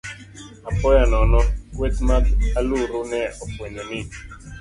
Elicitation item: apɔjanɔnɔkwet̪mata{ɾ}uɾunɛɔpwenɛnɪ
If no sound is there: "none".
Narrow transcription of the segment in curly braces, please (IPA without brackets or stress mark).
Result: l